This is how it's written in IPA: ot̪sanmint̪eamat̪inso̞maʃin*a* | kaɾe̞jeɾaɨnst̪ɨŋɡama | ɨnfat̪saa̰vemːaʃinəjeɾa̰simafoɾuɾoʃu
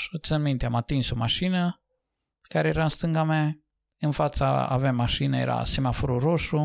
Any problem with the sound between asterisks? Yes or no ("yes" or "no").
yes